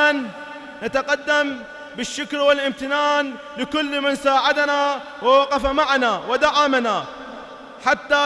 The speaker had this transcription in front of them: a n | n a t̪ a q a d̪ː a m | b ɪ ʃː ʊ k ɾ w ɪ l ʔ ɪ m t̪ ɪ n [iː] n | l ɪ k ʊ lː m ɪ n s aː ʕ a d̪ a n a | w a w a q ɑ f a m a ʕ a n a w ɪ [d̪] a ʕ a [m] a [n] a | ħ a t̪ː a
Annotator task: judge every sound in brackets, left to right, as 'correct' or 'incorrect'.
incorrect, correct, correct, correct

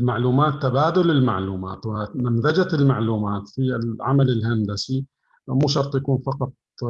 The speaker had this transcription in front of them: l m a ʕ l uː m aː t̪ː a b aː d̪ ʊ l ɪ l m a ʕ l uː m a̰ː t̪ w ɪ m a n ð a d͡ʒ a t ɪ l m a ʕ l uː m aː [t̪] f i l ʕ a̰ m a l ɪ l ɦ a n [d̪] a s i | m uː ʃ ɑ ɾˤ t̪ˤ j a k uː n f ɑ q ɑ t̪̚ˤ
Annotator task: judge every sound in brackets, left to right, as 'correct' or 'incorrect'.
correct, correct

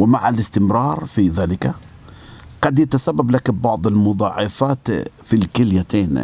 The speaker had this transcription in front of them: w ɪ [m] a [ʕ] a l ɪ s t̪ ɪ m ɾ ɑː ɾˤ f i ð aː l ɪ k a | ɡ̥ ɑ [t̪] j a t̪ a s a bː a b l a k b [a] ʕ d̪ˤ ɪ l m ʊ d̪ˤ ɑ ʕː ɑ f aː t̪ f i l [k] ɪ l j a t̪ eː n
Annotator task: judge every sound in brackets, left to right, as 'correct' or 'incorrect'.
correct, correct, incorrect, incorrect, correct

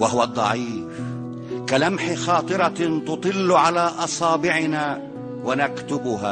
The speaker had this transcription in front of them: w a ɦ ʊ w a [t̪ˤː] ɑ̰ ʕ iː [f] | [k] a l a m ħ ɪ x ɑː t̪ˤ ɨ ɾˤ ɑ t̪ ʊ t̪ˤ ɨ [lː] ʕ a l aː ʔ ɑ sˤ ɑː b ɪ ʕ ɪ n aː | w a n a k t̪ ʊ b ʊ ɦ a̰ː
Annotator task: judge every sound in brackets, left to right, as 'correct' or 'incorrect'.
incorrect, correct, correct, correct

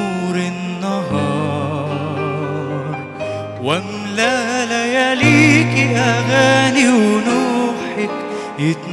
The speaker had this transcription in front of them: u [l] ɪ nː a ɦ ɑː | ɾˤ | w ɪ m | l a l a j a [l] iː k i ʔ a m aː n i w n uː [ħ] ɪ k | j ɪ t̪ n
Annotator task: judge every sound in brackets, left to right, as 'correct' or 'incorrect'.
incorrect, correct, correct

